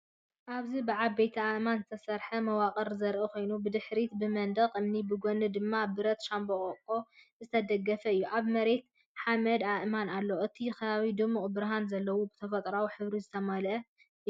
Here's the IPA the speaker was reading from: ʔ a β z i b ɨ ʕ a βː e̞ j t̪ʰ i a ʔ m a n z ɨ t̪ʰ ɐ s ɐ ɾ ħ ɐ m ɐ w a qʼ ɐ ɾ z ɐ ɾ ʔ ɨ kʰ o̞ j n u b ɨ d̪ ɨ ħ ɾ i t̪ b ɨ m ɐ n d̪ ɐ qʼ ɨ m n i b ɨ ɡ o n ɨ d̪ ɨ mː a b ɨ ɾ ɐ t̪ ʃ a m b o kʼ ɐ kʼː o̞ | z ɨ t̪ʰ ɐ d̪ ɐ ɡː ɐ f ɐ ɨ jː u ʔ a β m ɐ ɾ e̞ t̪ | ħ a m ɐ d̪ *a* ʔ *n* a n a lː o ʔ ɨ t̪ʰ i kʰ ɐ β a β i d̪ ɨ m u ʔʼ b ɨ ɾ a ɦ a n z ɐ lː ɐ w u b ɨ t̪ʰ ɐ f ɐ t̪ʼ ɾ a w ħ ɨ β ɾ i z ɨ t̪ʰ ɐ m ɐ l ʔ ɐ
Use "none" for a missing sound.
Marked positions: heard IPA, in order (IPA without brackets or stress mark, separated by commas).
a, m